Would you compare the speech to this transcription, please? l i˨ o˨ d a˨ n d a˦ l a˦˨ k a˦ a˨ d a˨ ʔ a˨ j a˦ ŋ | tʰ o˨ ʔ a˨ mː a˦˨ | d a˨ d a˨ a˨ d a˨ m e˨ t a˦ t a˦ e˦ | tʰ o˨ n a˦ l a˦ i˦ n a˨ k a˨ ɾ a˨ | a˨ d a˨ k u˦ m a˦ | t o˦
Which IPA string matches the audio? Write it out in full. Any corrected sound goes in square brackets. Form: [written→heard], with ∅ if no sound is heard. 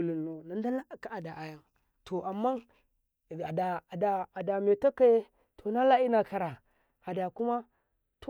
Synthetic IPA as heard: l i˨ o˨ [d→n] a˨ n d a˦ l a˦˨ k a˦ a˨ d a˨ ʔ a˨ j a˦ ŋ | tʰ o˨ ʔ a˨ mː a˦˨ | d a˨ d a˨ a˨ d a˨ m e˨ t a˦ [t→k] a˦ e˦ | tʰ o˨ n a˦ l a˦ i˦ n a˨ k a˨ ɾ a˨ | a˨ d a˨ k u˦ m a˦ | t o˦